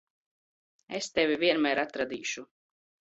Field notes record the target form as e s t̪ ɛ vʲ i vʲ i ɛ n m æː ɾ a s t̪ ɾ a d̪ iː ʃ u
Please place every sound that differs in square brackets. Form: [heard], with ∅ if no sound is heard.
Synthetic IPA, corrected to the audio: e s t̪ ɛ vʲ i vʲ i ɛ n m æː ɾ a [∅] t̪ ɾ a d̪ iː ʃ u